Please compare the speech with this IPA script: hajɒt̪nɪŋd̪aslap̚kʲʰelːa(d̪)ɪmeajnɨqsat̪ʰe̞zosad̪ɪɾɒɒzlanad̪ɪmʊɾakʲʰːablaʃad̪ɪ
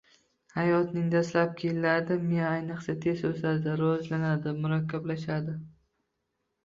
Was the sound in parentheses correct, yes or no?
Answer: yes